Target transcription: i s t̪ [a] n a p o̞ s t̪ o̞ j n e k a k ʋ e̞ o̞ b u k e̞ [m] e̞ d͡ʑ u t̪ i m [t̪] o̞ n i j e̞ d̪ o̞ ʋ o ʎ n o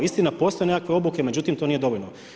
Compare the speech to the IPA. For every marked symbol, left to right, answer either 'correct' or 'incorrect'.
incorrect, correct, correct

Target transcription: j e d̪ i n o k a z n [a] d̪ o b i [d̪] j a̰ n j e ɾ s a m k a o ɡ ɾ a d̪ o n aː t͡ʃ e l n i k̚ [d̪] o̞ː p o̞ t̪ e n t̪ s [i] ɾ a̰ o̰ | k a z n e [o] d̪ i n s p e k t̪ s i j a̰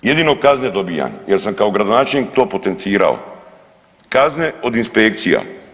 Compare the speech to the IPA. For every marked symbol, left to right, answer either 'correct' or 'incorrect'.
incorrect, incorrect, incorrect, incorrect, correct

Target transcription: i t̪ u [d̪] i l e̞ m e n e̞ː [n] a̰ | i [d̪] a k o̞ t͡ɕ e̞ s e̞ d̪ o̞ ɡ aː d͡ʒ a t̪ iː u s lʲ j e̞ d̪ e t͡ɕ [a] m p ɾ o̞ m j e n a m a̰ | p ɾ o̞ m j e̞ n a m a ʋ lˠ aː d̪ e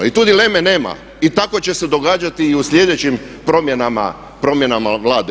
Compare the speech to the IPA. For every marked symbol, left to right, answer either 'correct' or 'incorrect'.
correct, incorrect, incorrect, incorrect

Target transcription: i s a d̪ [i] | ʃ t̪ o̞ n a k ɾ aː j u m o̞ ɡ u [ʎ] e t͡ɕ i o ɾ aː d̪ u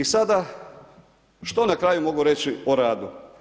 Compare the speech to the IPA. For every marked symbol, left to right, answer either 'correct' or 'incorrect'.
incorrect, incorrect

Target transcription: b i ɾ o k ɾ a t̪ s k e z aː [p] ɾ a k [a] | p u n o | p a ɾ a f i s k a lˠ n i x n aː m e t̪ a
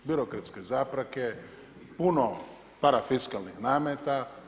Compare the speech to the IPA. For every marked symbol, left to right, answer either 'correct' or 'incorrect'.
correct, incorrect

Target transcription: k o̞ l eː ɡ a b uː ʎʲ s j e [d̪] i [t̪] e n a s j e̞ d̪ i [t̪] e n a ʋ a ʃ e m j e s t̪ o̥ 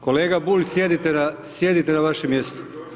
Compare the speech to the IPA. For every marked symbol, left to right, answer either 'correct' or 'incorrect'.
correct, correct, correct

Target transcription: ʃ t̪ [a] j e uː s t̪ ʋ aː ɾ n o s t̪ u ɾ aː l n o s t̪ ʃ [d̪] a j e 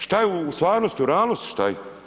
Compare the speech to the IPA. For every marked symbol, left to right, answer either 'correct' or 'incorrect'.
correct, incorrect

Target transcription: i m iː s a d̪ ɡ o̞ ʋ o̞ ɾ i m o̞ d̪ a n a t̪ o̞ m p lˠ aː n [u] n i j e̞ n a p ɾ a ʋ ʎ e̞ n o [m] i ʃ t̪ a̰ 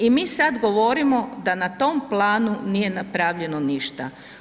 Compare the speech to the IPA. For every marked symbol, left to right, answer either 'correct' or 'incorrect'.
correct, incorrect

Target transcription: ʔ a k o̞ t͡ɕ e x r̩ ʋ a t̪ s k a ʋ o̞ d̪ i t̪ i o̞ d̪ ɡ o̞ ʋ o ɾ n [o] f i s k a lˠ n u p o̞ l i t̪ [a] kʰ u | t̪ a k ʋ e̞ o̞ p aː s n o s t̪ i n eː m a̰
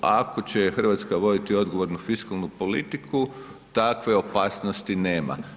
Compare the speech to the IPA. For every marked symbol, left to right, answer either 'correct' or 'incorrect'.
incorrect, incorrect

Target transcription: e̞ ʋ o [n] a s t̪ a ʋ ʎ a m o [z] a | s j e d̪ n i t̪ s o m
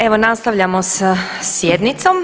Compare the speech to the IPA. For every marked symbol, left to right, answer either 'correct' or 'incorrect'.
correct, incorrect

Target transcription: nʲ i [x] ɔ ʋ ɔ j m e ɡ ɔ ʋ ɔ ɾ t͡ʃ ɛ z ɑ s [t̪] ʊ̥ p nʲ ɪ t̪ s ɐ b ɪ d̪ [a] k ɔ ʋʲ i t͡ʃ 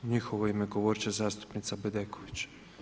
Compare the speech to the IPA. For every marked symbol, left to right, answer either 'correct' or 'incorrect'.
correct, correct, incorrect

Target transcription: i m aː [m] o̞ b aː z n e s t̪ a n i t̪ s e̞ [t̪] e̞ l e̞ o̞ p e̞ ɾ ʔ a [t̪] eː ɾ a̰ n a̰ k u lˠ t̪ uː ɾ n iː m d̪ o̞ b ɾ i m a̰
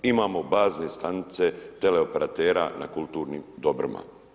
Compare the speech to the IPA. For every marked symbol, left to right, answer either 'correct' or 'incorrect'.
correct, correct, correct

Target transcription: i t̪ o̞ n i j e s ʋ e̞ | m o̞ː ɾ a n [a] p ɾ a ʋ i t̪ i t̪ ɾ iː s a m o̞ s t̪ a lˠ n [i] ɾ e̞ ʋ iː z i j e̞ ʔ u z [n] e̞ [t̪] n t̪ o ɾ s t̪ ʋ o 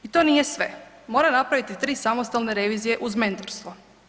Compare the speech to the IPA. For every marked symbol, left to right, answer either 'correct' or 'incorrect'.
correct, incorrect, incorrect, incorrect

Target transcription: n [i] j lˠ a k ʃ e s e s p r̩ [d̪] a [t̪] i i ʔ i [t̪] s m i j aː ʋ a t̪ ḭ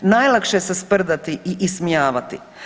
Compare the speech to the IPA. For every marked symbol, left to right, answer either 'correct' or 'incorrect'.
incorrect, correct, correct, incorrect

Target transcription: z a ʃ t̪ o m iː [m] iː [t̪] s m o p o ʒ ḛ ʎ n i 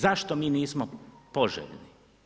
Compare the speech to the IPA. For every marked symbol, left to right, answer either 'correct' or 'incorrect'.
incorrect, incorrect

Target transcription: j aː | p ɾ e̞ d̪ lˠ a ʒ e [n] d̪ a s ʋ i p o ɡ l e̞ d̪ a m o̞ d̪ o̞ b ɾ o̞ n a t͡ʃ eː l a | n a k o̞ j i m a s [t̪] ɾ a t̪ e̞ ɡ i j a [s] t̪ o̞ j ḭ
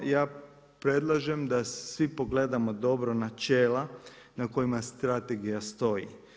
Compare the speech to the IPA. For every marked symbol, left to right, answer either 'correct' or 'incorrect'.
incorrect, correct, correct

